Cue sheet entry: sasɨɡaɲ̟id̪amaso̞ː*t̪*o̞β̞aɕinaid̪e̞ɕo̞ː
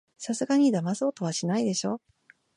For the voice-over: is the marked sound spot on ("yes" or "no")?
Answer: yes